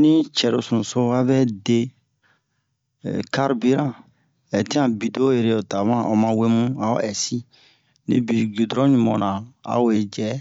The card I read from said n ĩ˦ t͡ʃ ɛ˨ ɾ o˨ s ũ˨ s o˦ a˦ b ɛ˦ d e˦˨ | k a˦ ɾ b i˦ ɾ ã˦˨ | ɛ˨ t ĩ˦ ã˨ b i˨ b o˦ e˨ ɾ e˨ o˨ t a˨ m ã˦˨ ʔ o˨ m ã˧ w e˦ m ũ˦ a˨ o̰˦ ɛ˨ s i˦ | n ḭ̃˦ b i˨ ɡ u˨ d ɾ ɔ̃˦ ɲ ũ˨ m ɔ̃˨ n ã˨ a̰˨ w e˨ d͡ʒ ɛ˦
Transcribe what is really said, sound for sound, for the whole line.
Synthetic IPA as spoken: n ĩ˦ t͡ʃ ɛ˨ ɾ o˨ s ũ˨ s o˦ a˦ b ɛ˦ d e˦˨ | k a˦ ɾ b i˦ ɾ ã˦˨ | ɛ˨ t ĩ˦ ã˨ b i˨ d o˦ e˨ ɾ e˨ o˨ t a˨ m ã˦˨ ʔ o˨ m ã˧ w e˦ m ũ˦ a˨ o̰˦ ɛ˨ s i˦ | n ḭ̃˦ b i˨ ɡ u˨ d ɾ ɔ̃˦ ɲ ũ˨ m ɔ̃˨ n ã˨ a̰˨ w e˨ d͡ʒ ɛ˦

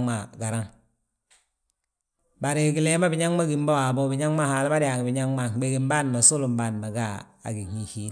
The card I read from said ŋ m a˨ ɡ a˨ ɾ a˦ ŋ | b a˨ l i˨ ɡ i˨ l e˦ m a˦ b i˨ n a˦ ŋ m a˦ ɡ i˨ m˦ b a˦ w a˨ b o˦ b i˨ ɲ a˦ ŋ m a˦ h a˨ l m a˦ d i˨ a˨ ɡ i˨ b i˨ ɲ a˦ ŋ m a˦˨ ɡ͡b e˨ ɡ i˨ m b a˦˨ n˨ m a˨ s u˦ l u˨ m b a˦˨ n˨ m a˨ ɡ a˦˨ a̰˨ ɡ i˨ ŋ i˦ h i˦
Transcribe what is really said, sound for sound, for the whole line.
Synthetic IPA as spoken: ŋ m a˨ ɡ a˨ ɾ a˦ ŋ | b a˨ ɾ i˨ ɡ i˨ l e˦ m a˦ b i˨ ɲ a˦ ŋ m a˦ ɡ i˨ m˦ b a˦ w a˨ b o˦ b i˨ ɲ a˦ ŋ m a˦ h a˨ l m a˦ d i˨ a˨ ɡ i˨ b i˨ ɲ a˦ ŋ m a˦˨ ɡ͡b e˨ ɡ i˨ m b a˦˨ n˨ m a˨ s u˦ l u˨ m b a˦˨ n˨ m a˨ ɡ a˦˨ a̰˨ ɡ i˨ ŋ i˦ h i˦

